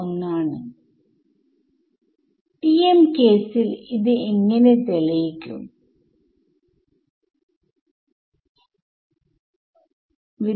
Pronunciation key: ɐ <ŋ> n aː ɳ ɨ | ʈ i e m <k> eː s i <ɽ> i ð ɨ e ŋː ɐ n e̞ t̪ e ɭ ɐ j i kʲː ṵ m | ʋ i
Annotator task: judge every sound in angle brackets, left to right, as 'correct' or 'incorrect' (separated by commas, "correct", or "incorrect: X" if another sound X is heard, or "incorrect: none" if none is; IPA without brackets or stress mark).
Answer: correct, correct, incorrect: l